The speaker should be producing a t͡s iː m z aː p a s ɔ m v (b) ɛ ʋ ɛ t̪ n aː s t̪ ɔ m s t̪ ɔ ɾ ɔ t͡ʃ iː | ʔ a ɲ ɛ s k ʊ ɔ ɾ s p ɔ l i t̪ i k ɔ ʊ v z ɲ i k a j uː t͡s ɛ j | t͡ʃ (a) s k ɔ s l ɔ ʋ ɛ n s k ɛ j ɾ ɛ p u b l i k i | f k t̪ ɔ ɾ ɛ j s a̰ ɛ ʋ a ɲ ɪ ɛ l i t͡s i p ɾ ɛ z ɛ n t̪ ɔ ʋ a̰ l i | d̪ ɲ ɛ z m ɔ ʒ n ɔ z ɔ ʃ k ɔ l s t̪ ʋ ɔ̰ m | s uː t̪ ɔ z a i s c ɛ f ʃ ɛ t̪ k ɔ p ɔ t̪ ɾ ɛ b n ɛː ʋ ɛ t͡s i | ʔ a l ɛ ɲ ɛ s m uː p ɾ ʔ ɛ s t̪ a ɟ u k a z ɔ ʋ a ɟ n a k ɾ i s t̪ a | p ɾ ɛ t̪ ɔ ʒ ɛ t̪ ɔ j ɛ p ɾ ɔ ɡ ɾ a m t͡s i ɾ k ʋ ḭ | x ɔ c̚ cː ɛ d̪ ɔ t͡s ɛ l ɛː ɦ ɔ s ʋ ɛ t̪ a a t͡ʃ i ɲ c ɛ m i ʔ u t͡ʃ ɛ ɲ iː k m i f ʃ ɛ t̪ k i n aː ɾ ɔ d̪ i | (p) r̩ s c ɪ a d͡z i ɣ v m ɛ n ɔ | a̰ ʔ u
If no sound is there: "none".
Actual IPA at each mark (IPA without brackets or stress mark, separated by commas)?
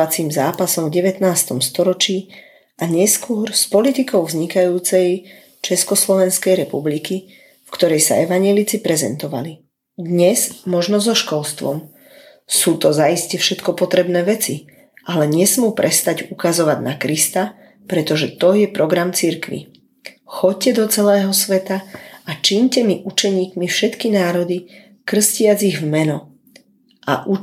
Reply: ɟ, ɛ, k